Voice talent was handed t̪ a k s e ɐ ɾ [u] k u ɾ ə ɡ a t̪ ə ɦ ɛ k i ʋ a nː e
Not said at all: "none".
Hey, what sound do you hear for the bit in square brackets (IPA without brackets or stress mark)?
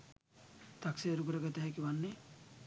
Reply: u